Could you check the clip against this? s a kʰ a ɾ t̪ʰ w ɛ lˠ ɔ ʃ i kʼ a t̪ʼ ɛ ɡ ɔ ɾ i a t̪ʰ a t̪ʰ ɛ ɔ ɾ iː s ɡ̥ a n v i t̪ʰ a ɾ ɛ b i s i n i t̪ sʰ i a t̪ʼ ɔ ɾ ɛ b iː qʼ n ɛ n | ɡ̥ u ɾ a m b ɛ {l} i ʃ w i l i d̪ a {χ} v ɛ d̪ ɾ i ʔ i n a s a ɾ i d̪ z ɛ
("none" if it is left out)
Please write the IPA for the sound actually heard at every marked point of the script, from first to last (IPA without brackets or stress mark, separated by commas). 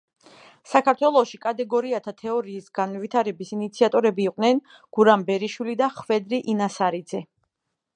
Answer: ɾ, χ